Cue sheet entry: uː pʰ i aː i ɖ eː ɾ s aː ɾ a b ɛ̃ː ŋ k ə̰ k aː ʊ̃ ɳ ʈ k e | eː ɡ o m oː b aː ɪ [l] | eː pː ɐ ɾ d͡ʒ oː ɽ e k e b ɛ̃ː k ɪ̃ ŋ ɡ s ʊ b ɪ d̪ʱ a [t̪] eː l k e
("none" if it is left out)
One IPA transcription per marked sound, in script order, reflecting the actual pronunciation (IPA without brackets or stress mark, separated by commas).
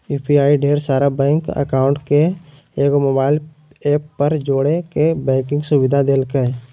l, d̪